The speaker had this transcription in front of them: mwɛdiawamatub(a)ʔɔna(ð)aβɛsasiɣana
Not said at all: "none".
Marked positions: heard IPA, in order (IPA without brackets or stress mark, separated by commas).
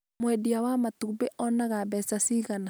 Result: e, ɣ